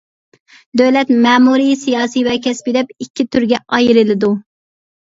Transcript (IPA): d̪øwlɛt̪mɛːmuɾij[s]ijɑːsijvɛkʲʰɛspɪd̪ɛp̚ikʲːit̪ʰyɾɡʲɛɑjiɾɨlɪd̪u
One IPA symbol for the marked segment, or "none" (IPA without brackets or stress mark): s